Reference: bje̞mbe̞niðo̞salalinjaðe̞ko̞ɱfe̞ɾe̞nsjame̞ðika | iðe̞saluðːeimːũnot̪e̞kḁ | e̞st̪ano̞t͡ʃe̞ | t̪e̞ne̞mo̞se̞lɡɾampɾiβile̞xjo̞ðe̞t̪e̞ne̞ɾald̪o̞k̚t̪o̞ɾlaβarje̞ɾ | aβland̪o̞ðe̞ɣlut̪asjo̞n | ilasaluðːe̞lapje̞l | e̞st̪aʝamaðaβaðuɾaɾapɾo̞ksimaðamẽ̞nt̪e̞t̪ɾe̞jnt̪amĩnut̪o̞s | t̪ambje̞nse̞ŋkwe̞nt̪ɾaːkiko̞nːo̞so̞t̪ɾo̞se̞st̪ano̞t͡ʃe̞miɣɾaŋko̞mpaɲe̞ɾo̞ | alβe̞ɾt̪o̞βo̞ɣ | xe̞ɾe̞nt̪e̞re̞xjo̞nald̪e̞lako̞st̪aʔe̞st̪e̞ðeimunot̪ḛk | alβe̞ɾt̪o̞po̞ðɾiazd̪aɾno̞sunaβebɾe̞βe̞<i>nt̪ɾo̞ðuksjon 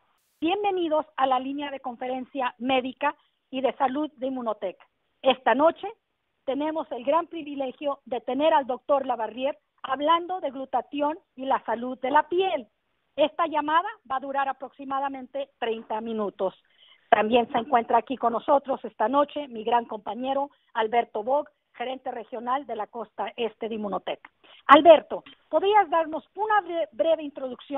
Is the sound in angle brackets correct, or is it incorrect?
correct